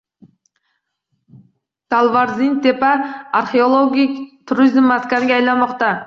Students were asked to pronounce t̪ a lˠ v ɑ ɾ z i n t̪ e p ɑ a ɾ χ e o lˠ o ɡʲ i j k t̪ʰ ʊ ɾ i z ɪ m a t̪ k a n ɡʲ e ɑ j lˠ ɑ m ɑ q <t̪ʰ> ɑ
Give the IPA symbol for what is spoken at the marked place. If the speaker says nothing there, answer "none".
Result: t̪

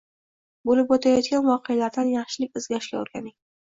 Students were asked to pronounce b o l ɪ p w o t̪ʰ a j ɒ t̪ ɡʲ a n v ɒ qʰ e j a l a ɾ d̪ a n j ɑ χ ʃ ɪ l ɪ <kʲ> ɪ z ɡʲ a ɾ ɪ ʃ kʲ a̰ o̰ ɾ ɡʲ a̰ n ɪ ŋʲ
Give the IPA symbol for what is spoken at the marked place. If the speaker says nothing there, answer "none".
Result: kʲ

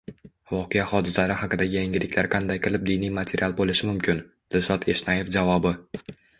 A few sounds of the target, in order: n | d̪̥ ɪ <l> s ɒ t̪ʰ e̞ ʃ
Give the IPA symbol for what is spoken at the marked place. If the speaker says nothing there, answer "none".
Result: l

